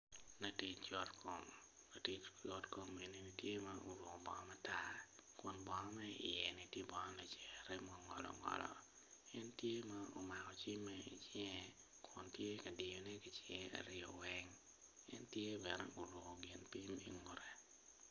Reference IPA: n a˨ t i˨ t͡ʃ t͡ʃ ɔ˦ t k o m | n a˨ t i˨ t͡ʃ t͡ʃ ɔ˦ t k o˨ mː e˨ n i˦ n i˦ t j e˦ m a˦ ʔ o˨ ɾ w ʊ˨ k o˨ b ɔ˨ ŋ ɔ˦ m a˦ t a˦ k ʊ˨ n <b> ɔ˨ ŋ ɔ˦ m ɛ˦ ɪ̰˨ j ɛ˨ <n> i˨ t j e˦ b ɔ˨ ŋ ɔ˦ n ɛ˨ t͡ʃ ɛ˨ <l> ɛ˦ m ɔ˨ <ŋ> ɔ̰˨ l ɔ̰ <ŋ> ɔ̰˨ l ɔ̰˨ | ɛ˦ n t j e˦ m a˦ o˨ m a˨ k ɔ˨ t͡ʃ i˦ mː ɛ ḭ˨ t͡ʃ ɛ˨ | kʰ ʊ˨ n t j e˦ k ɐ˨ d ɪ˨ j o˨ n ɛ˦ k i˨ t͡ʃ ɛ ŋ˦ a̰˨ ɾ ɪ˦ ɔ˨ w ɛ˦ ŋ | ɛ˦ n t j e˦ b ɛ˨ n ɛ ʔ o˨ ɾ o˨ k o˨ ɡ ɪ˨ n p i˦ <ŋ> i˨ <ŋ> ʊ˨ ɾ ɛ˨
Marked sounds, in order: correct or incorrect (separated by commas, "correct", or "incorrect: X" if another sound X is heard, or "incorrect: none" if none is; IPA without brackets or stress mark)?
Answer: correct, correct, incorrect: ɾ, correct, correct, incorrect: m, correct